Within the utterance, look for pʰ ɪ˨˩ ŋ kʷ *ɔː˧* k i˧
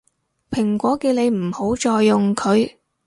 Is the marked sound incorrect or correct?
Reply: incorrect